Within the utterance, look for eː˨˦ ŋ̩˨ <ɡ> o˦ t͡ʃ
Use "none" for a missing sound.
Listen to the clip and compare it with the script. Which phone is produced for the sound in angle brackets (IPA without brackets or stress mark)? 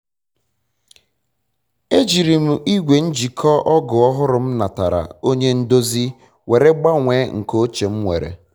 k